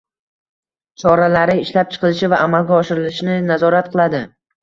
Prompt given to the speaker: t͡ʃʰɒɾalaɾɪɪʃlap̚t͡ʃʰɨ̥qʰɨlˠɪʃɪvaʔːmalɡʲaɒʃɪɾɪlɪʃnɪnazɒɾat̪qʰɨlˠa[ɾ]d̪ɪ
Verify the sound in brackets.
incorrect: none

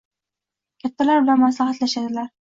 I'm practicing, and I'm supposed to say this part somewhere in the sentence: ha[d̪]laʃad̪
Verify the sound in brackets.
incorrect: t̪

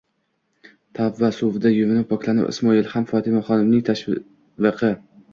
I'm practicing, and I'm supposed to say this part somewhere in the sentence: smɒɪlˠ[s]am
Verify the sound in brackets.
incorrect: h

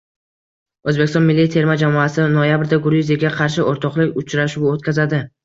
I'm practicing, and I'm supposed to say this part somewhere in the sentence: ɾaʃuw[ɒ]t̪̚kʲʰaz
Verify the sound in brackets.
incorrect: o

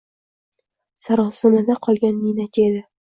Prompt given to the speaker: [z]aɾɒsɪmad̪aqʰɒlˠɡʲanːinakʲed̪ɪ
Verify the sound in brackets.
incorrect: s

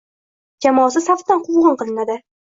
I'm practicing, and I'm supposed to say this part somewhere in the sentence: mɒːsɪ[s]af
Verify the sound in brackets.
correct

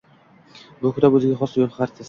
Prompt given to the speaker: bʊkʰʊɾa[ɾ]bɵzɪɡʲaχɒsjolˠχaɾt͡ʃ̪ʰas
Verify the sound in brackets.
incorrect: none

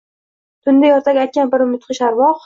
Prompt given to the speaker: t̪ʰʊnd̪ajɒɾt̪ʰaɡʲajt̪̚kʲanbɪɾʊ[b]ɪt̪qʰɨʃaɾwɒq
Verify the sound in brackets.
incorrect: m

